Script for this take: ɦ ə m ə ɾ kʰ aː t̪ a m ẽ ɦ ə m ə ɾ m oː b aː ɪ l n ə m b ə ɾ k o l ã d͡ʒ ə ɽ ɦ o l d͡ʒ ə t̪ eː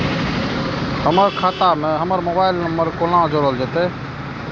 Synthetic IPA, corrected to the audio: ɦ ə m ə ɾ kʰ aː t̪ a m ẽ ɦ ə m ə ɾ m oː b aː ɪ l n ə m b ə ɾ k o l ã d͡ʒ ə ɾ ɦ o l d͡ʒ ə t̪ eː